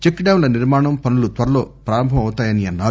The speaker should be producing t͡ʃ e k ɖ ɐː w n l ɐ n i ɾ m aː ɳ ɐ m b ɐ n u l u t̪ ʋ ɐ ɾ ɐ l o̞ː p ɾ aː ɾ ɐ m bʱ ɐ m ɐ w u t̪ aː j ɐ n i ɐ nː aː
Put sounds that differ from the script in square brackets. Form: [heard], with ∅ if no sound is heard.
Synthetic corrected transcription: t͡ʃ e k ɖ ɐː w n l ɐ n i ɾ m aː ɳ ɐ m [p] ɐ n u l u t̪ ʋ ɐ ɾ ɐ l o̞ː p ɾ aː ɾ ɐ m bʱ ɐ m ɐ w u t̪ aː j ɐ n i ɐ nː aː